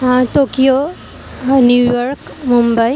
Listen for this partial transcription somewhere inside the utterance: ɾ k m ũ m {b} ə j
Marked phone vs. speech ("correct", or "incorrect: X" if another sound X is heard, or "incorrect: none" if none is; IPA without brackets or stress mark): correct